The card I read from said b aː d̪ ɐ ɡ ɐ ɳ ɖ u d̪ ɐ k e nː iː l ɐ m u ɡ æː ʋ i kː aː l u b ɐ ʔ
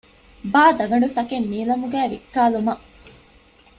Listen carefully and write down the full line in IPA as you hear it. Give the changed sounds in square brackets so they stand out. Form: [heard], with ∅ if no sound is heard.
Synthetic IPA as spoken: b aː d̪ ɐ ɡ ɐ ɳ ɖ u [t̪] ɐ k e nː iː l ɐ m u ɡ æː ʋ i kː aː l u [m] ɐ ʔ